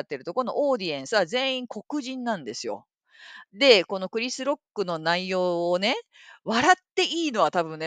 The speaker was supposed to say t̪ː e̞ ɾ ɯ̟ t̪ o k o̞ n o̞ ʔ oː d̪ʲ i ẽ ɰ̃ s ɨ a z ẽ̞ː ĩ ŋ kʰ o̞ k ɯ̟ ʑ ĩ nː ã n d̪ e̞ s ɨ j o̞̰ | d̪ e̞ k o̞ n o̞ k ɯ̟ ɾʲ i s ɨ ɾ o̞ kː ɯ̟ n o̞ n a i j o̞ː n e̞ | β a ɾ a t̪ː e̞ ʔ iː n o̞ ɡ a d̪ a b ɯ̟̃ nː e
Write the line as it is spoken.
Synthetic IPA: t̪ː e̞ ɾ ɯ̟ t̪ o k o̞ n o̞ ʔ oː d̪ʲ i ẽ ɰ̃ s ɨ a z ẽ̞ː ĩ ŋ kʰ o̞ k ɯ̟ ʑ ĩ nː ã n d̪ e̞ s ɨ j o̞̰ | d̪ e̞ k o̞ n o̞ k ɯ̟ ɾʲ i s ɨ ɾ o̞ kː ɯ̟ n o̞ n a i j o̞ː n e̞ | β a ɾ a t̪ː e̞ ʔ iː n o̞ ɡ a t̪ a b ɯ̟̃ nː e